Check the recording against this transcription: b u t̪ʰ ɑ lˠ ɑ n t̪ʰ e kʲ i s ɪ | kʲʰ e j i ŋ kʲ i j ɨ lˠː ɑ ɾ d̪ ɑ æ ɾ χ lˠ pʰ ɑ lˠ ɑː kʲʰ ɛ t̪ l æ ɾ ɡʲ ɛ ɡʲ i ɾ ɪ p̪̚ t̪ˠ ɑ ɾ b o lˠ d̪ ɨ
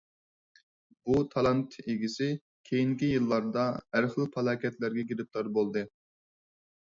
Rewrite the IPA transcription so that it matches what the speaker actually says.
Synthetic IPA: b u t̪ʰ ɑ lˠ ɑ n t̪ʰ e ɡʲ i s ɪ | kʲʰ e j i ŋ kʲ i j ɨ lˠː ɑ ɾ d̪ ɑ æ ɾ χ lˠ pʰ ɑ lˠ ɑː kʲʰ ɛ t̪ l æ ɾ ɡʲ ɛ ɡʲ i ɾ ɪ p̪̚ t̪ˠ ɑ ɾ b o lˠ d̪ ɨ